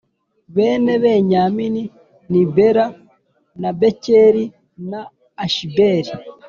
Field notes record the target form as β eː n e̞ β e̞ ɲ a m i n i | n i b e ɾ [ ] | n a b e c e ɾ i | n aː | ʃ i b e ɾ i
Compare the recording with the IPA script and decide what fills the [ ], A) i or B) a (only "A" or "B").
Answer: B